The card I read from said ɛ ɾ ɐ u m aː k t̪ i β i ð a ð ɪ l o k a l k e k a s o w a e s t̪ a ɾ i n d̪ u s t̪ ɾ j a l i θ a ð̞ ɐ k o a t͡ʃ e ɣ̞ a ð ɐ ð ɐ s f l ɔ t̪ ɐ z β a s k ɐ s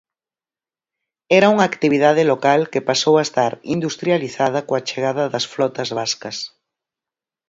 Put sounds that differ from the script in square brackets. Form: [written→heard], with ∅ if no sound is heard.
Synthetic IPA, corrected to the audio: ɛ ɾ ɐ u [m→ŋ] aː k t̪ i β i ð a ð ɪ l o k a l k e [k→p] a s o w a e s t̪ a ɾ i n d̪ u s t̪ ɾ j a l i θ a ð̞ ɐ k o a t͡ʃ e ɣ̞ a ð ɐ ð ɐ s f l ɔ t̪ ɐ z β a s k ɐ s

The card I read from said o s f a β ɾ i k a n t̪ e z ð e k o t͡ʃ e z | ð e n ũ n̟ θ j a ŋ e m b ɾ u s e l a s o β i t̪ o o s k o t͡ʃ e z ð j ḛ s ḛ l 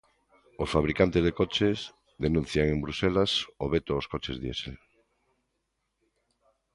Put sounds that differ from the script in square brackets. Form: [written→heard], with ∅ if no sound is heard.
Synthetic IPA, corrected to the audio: o s f a β ɾ i k a n t̪ e z ð e k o t͡ʃ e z | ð e n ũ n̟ θ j a ŋ e m b ɾ u s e l a s o β [i→e] t̪ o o s k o t͡ʃ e z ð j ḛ s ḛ l

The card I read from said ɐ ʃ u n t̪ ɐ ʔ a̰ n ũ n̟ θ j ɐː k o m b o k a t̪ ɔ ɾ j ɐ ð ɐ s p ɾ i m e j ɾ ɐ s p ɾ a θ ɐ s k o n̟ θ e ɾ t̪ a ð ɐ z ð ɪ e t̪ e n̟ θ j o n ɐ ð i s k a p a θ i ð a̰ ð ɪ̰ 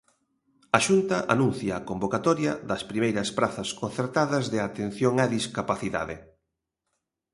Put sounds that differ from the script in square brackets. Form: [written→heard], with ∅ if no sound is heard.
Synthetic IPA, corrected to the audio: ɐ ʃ u n t̪ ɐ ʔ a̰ n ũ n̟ θ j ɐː k o m b o k a t̪ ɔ ɾ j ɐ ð ɐ s p ɾ i m e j ɾ ɐ s p ɾ a θ ɐ s k o n̟ θ e ɾ t̪ a ð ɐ z ð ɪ [e→a] t̪ e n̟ θ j o [n→ŋ] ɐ ð i s k a p a θ i ð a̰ ð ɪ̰

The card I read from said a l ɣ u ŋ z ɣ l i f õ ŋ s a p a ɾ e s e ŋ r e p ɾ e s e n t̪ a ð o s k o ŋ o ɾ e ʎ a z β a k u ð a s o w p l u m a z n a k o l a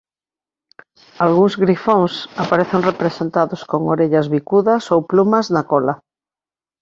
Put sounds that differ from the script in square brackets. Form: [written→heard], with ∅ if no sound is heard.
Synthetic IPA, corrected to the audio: a l ɣ u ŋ z ɣ [l→ɾ] i f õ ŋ s a p a ɾ e [s→θ] e ŋ r e p ɾ e s e n t̪ a ð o s k o ŋ o ɾ e ʎ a z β [a→i] k u ð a s o w p l u m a z n a k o l a

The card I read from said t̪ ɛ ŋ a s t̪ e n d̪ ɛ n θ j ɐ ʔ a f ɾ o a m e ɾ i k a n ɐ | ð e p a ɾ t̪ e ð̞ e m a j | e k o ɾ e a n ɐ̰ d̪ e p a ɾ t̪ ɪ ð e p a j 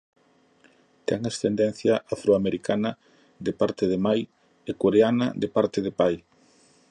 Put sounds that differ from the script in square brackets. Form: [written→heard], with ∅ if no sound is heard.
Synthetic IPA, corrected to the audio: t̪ ɛ ŋ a s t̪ e n d̪ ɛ n θ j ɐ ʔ a f ɾ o a m e ɾ i k a n ɐ | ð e p a ɾ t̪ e ð̞ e m a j | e k o ɾ e a n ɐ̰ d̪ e p a ɾ t̪ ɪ ð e p a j

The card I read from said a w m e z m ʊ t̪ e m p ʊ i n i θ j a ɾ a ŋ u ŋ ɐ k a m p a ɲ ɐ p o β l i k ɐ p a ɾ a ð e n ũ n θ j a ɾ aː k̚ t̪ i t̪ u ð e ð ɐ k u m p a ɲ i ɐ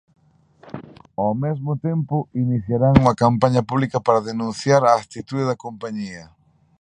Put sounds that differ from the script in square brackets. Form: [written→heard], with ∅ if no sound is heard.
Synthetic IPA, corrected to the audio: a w m e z m ʊ t̪ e m p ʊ i n i θ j a ɾ a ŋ u ŋ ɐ k a m p a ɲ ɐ p [o→u] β l i k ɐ p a ɾ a ð e n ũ n θ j a ɾ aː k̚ t̪ i t̪ u ð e ð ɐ k [u→o] m p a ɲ i ɐ

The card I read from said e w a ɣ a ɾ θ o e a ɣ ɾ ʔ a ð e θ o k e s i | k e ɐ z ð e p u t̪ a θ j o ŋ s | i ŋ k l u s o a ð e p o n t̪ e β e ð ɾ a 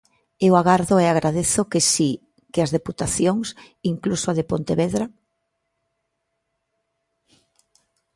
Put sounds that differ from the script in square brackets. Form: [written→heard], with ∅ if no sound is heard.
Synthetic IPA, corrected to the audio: e w a ɣ a ɾ [θ→ð] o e a ɣ ɾ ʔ a ð e θ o k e s i | k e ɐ z ð e p u t̪ a θ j o ŋ s | i ŋ k l u s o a ð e p o n t̪ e β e ð ɾ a

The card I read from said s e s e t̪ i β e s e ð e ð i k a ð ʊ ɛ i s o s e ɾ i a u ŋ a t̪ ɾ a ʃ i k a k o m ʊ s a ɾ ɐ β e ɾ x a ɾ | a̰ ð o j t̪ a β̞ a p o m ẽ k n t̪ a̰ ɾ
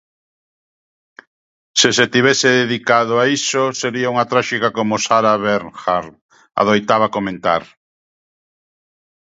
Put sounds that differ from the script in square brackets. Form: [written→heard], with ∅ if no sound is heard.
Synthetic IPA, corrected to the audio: s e s e t̪ i β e s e ð e ð i k a ð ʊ [ɛ→a] i s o s e ɾ i a u ŋ a t̪ ɾ a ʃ i k a k o m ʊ s a ɾ [ɐ→a] β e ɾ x a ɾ | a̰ ð o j t̪ a β̞ a [p→k] o m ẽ [k→∅] n t̪ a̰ ɾ

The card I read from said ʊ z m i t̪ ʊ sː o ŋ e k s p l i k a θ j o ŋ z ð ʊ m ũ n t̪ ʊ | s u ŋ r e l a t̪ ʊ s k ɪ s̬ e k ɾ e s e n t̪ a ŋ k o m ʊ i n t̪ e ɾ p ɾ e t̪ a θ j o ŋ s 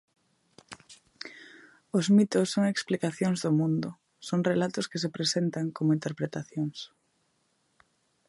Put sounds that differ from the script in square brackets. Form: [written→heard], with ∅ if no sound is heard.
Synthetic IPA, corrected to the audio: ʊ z m i t̪ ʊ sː o ŋ e k s p l i k a θ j o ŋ z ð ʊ m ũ n [t̪→d̪] ʊ | s [u→o] ŋ r e l a t̪ ʊ s k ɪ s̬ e [k→p] ɾ e s e n t̪ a ŋ k o m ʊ i n t̪ e ɾ p ɾ e t̪ a θ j o ŋ s

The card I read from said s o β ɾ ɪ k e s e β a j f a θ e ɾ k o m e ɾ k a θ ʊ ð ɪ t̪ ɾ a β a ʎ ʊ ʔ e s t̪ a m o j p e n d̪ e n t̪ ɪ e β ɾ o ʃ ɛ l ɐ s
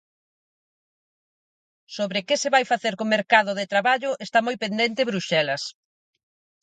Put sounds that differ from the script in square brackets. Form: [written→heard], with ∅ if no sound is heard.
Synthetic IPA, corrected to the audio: s o β ɾ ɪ k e s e β a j f a θ e ɾ k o m e ɾ k a [θ→ð] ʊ ð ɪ t̪ ɾ a β a ʎ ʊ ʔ e s t̪ a m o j p e n d̪ e n t̪ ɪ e β ɾ [o→u] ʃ ɛ l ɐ s

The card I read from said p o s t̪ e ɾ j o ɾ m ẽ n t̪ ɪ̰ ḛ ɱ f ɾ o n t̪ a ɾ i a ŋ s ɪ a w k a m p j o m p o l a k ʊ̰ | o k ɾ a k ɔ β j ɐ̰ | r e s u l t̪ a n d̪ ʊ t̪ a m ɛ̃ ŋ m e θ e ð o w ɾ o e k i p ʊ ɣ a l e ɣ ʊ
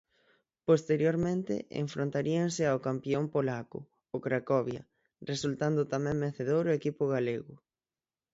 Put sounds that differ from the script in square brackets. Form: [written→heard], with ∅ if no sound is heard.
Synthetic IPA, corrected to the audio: p o s t̪ e ɾ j o ɾ m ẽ n t̪ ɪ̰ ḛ ɱ f ɾ o n t̪ a ɾ i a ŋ s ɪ a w k a m p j o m p o l a k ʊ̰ | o k ɾ a k ɔ β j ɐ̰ | r e s u l t̪ a n d̪ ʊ t̪ a m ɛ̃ ŋ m e θ e ð o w ɾ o e k i p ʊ ɣ a l e ɣ ʊ

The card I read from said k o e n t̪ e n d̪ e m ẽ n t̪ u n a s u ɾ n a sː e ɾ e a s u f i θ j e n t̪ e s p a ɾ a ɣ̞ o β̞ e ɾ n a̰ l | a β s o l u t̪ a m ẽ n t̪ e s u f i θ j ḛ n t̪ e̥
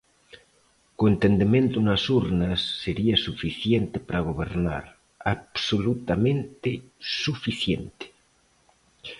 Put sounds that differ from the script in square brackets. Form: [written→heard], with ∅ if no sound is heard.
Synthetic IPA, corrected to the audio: k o e n t̪ e n d̪ e m ẽ n t̪ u n a s u ɾ n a sː e ɾ [e→i] a s u f i θ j e n t̪ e [s→∅] p a ɾ a ɣ̞ o β̞ e ɾ n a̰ [l→ɾ] | a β s o l u t̪ a m ẽ n t̪ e s u f i θ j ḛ n t̪ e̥

